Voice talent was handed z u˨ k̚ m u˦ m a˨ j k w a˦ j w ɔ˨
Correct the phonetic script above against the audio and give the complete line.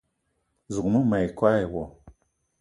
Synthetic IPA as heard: z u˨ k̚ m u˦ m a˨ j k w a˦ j w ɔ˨

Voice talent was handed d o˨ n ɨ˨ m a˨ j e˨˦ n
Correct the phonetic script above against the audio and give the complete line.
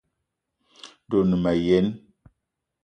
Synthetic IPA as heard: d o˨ n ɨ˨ m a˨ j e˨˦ n

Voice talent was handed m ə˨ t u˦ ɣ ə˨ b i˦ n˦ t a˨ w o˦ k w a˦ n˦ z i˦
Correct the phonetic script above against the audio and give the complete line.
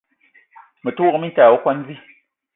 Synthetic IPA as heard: m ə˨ t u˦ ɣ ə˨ m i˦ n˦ t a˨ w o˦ k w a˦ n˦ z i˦

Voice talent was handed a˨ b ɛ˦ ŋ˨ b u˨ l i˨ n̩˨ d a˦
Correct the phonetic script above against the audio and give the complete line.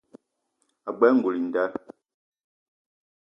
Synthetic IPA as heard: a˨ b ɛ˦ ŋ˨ ɡ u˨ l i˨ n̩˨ d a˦

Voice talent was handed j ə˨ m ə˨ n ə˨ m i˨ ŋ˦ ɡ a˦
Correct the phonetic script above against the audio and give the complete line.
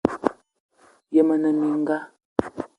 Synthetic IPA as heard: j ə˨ m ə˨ n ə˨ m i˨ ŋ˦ ɡ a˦

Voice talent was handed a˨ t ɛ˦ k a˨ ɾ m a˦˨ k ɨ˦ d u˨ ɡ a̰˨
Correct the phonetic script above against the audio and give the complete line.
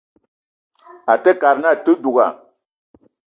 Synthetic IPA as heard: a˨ t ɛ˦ k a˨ ɾ n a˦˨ t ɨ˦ d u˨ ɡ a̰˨

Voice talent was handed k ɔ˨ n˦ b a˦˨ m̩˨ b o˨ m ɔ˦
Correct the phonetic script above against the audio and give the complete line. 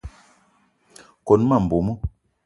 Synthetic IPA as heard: k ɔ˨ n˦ m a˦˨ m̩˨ b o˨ m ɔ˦

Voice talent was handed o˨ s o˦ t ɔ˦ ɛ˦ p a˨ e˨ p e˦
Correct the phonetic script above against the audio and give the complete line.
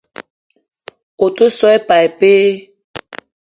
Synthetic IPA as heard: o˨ t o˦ s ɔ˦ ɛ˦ p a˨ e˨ p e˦

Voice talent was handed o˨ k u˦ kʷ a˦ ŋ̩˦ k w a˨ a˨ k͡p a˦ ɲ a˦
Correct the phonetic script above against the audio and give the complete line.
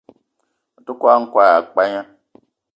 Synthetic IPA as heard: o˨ t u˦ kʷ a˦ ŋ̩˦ k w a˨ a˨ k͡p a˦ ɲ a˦

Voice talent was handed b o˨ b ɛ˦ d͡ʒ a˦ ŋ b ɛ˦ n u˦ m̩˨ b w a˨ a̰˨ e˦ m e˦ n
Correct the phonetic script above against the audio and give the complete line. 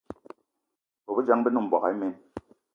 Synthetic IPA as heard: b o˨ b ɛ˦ d͡ʒ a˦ ŋ b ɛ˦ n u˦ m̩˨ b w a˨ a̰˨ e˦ m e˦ n

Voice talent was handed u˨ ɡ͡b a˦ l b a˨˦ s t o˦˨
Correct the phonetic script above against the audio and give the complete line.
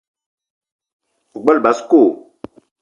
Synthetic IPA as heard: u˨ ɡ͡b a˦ l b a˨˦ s k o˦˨

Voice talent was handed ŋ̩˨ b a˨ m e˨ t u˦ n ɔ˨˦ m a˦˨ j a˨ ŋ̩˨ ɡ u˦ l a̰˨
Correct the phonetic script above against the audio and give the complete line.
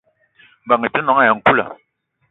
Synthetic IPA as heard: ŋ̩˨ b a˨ ŋ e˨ t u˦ n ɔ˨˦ ŋ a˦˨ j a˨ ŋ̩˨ k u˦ l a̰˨

